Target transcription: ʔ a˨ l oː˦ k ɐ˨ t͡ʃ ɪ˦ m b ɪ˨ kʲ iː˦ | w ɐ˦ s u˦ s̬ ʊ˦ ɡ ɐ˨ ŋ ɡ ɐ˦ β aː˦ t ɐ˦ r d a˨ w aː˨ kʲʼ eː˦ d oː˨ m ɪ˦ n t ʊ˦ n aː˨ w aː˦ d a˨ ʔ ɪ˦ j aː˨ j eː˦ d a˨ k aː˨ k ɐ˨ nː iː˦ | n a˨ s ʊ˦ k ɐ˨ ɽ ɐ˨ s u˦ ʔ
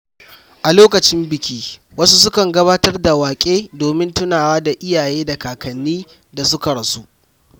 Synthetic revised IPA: ʔ a˨ l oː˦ k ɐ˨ t͡ʃ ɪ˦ m b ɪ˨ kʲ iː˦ | w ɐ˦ s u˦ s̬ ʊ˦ k ɐ˨ ŋ ɡ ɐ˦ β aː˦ t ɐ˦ r d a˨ w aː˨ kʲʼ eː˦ d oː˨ m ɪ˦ n t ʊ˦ n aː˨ w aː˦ d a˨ ʔ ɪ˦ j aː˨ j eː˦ d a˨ k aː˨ k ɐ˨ nː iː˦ | d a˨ s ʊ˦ k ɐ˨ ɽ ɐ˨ s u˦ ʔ